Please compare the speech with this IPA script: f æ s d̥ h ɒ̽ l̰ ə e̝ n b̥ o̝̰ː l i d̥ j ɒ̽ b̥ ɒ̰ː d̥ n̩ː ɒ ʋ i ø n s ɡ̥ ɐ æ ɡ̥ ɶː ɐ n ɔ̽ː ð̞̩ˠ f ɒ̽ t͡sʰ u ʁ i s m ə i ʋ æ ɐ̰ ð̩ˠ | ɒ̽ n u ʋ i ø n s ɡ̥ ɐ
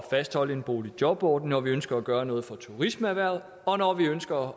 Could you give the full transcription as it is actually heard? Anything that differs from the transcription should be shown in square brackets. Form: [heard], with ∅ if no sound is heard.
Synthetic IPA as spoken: f æ s d̥ h ɒ̽ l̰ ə e̝ n b̥ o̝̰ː l i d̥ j ɒ̽ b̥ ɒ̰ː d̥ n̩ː ɒ ʋ i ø n s ɡ̥ ɐ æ ɡ̥ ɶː ɐ n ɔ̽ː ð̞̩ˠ f ɒ̽ t͡sʰ u ʁ i s m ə [æ] ʋ æ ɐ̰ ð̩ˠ | ɒ̽ n [ɒ] ʋ i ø n s ɡ̥ ɐ